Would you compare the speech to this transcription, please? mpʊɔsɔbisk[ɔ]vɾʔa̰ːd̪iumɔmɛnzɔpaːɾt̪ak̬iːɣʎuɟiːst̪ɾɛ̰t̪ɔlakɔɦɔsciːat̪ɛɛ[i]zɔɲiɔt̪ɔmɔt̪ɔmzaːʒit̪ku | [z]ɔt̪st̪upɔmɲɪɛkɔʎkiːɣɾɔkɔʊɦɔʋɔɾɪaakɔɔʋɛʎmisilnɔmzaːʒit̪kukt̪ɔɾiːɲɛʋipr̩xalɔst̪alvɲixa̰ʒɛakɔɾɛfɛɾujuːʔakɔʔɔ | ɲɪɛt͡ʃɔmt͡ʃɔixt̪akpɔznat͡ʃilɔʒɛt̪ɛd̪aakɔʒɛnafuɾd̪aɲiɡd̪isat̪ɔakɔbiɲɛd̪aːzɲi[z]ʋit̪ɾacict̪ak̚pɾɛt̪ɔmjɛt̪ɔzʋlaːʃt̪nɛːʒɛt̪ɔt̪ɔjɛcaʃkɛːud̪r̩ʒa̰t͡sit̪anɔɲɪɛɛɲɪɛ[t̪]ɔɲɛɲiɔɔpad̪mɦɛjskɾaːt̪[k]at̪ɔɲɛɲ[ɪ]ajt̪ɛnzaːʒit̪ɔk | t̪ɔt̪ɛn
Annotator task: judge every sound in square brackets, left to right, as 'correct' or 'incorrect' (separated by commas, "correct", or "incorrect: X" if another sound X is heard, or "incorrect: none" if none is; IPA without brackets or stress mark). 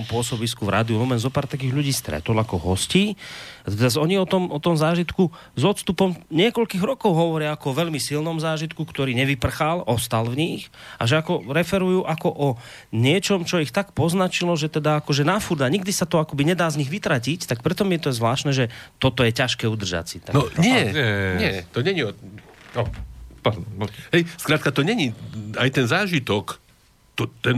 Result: incorrect: u, incorrect: a, correct, incorrect: ɣ, correct, correct, incorrect: i